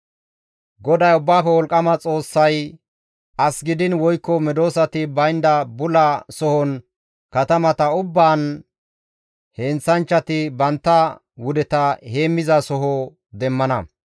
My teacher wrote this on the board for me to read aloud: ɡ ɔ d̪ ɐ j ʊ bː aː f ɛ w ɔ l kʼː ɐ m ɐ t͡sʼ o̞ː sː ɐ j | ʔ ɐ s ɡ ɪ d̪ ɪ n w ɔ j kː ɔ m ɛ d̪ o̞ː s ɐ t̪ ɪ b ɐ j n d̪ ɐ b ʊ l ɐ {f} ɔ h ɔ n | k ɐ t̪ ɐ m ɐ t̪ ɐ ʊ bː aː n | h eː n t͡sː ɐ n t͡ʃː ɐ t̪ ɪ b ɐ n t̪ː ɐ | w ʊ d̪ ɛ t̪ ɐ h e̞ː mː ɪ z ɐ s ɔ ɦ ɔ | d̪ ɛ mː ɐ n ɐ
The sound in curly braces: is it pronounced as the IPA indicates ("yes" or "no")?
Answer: no